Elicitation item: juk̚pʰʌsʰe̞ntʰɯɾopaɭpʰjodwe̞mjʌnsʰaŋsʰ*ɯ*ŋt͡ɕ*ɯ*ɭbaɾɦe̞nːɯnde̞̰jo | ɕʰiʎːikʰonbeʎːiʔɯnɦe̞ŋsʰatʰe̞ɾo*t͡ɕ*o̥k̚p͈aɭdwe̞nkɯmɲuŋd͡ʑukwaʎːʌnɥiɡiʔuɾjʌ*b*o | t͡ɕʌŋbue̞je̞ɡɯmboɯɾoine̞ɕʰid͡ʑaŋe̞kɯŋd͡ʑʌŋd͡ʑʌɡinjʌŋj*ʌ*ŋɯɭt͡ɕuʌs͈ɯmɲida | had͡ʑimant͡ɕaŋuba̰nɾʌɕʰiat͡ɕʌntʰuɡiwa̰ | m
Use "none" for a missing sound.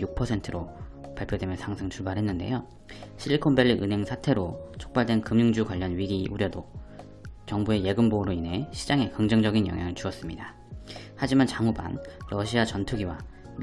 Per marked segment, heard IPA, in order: ɯ, u, t͡ɕʰ, d, a

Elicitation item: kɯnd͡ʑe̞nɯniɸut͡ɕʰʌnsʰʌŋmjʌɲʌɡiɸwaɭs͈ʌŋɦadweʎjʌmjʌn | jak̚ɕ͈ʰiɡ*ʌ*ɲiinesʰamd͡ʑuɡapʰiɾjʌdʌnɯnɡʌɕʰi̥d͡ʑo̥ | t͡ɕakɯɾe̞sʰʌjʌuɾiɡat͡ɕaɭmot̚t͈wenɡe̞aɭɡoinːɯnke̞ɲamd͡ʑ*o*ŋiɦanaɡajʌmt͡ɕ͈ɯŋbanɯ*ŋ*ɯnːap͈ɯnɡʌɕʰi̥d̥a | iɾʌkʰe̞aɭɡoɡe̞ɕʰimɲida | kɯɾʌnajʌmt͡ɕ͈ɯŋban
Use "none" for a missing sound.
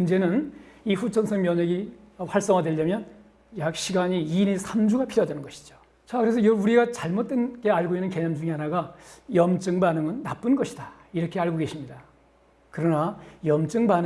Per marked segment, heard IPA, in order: a, u, ŋ

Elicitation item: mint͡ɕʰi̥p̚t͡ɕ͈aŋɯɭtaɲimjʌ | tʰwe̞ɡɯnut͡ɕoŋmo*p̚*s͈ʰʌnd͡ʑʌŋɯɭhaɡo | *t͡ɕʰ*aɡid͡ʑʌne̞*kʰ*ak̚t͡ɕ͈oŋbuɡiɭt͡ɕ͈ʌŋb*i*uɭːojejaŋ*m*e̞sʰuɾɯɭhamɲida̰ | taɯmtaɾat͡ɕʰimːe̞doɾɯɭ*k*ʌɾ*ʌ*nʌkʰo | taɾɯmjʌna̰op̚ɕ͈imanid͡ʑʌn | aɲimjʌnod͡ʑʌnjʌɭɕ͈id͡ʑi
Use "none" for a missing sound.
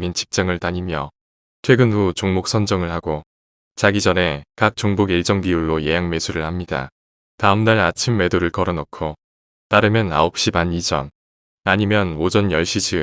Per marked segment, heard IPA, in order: k̚, t͡ɕ, k, i, m, k, ʌ

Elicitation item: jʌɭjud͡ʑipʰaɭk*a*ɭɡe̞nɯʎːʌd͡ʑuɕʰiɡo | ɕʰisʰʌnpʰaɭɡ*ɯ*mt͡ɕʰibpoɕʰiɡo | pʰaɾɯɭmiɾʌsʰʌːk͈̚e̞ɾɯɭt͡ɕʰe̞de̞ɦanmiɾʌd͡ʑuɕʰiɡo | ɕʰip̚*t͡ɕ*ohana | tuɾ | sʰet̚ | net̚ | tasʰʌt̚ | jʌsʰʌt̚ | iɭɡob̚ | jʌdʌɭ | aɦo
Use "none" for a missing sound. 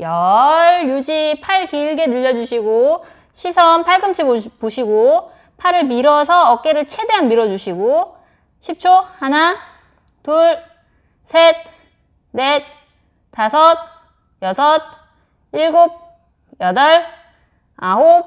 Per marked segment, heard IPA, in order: i, ɯ, t͡ɕʰ

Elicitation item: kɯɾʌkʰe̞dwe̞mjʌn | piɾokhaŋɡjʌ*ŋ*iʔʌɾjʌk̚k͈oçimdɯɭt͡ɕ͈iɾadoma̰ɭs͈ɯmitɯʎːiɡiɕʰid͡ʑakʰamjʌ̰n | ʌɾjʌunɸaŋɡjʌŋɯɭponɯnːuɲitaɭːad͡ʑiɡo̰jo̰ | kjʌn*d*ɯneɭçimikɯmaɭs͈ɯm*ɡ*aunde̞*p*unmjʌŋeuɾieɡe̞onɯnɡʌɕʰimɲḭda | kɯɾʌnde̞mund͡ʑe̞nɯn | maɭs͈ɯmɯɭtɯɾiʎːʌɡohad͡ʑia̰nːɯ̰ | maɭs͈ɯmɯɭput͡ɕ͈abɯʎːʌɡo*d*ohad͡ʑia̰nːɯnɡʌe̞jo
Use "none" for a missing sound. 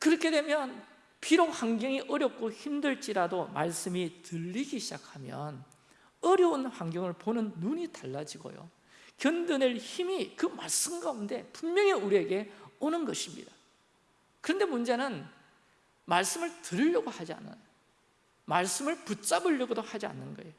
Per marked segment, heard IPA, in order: ŋ, d, ɡ, p, d

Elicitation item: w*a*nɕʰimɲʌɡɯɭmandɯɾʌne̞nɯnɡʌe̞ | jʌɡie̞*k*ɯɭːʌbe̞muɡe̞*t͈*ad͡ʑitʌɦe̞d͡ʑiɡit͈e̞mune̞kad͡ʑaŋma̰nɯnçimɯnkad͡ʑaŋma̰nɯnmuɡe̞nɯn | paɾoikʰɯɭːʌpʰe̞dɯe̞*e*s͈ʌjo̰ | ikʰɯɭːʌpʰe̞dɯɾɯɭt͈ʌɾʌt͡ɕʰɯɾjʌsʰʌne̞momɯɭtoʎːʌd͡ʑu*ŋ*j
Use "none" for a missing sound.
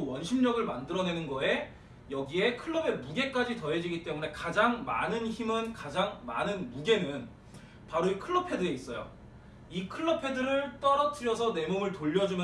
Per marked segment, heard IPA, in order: ʌ, kʰ, k͈, i, m

